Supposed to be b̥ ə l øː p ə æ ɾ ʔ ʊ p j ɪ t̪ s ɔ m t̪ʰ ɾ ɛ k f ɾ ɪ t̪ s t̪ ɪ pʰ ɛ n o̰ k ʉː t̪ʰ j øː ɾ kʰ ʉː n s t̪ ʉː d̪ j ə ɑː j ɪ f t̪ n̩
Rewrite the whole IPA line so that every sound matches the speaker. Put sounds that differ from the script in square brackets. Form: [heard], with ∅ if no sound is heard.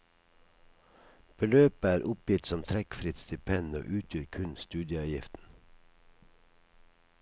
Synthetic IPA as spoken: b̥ ə l øː p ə [æː] ɾ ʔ ʊ p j ɪ t̪ s ɔ m t̪ʰ ɾ ɛ k f ɾ ɪ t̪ s t̪ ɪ pʰ ɛ n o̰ [ʔ] ʉː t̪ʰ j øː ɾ kʰ [ʉ] n s t̪ ʉː d̪ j ə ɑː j ɪ f t̪ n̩

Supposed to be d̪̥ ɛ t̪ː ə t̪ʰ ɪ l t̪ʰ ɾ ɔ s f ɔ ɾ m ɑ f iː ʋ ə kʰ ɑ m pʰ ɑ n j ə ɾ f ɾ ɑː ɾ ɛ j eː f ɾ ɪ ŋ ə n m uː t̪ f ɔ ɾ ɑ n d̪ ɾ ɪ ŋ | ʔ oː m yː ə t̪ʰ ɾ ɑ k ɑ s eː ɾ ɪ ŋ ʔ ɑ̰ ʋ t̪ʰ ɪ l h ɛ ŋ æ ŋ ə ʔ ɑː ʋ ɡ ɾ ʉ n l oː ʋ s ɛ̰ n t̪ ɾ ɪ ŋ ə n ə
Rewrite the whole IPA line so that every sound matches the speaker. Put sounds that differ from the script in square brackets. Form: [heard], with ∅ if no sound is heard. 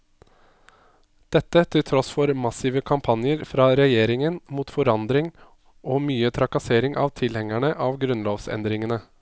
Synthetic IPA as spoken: d̪̥ ɛ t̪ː ə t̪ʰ ɪ l t̪ʰ ɾ ɔ s f ɔ ɾ m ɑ [s] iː ʋ ə kʰ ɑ m pʰ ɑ n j ə ɾ f ɾ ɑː ɾ ɛ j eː [∅] ɾ ɪ ŋ ə n m uː t̪ f ɔ ɾ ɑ n d̪ ɾ ɪ ŋ | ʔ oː m yː ə t̪ʰ ɾ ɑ k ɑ s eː ɾ ɪ ŋ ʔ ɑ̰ ʋ t̪ʰ ɪ l h ɛ ŋ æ [ɳ] ə ʔ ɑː ʋ ɡ ɾ ʉ n l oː ʋ s ɛ̰ n [d̪] ɾ ɪ ŋ ə n ə

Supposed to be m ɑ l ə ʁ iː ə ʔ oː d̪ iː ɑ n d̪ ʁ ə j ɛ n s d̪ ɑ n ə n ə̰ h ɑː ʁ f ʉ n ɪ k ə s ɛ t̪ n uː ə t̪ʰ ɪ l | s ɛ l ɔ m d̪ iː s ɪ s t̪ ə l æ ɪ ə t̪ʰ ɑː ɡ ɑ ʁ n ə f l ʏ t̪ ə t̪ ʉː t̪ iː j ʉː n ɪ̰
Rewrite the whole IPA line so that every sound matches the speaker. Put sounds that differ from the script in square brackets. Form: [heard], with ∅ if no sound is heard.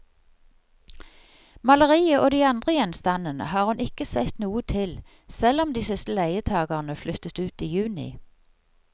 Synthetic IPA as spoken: m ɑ l ə ʁ iː ə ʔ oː d̪ iː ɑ n d̪ ʁ ə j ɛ n s [t̪] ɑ n ə n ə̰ h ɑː ʁ [h] ʉ n ɪ k ə s ɛ t̪ n uː ə t̪ʰ ɪ l | s ɛ l ɔ m d̪ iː s ɪ s t̪ ə l æ ɪ ə t̪ʰ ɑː ɡ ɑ ʁ n ə f l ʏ t̪ ə t̪ ʉː t̪ iː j ʉː n ɪ̰

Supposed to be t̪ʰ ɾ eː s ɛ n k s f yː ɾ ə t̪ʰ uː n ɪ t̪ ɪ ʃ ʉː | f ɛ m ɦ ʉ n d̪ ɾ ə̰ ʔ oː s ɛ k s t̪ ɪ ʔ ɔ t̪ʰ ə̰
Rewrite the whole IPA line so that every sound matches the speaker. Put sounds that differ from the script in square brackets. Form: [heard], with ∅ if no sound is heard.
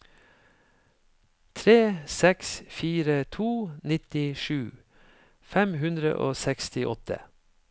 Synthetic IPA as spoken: t̪ʰ ɾ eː s ɛ [∅] k s f [iː] ɾ ə t̪ʰ uː n ɪ t̪ ɪ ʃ ʉː | f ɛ m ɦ ʉ n d̪ ɾ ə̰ ʔ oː s ɛ k s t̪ ɪ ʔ ɔ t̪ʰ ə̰

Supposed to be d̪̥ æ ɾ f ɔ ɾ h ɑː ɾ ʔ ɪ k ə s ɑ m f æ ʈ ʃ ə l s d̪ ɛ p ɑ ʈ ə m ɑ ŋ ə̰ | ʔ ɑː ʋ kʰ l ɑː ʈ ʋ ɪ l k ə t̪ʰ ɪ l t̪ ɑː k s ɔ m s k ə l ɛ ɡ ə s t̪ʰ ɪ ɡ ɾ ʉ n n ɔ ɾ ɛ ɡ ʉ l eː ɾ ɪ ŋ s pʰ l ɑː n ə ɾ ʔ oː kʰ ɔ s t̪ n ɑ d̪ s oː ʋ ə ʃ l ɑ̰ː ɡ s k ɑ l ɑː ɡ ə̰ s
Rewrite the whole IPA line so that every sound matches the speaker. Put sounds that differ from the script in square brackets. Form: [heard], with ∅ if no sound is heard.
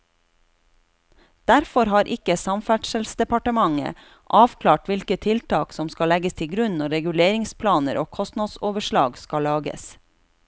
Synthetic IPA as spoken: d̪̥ æ ɾ f ɔ ɾ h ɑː ɾ ʔ ɪ k ə s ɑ m f æ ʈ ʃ ə l s d̪ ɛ p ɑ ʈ ə m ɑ ŋ ə̰ | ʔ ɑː ʋ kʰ l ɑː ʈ ʋ ɪ l k ə t̪ʰ ɪ l t̪ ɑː k s ɔ m s k [ɑ] l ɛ ɡ ə s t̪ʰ ɪ ɡ ɾ ʉ n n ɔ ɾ ɛ ɡ ʉ l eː ɾ ɪ ŋ s pʰ l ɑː n ə ɾ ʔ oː kʰ ɔ s t̪ n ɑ d̪ s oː ʋ ə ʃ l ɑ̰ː ɡ s k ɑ l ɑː ɡ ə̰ s

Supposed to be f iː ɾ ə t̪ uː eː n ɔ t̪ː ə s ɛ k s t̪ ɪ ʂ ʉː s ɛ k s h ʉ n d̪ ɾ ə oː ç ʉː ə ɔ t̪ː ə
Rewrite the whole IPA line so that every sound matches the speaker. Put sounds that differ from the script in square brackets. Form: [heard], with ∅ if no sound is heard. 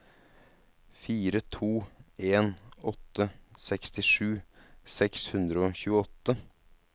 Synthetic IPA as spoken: f iː ɾ ə [t̪ʰ] uː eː n ɔ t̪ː ə s ɛ k s t̪ ɪ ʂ ʉː s ɛ k s h ʉ n d̪ ɾ ə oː ç ʉː ə ɔ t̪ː ə

